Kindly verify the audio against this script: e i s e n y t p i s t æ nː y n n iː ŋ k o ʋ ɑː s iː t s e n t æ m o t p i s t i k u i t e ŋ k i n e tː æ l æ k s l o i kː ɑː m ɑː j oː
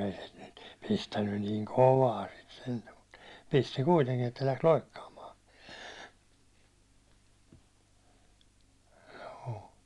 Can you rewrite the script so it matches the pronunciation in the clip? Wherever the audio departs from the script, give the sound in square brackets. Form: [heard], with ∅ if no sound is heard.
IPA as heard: e i s e n y t p i s t æ nː y n n iː ŋ k o ʋ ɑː s [i] t s e n t æ m [u] t p i s t i k u i t e ŋ k i n e tː æ l æ k s l o i kː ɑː m ɑː j oː